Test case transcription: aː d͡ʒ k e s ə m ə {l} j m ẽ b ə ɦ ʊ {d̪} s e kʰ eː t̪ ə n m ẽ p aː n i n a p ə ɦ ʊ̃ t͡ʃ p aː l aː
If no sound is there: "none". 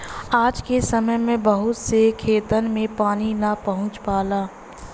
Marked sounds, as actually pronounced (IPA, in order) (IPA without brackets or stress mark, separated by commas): none, t̪